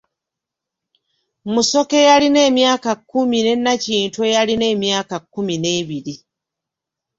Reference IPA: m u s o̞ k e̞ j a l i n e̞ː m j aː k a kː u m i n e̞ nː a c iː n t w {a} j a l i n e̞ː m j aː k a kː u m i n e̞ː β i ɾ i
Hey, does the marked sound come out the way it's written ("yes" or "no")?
no